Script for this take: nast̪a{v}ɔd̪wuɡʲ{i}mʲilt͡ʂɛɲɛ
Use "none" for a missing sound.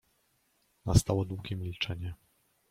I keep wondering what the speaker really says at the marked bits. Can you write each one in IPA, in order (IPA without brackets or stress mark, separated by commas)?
w, ɛ